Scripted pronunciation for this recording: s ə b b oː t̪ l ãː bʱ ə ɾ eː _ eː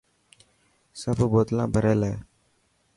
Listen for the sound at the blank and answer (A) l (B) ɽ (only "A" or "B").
A